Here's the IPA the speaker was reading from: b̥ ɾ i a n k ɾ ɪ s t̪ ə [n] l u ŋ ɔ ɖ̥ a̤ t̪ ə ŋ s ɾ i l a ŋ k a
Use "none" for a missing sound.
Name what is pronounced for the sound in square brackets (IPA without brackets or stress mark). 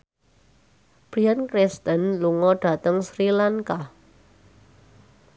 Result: n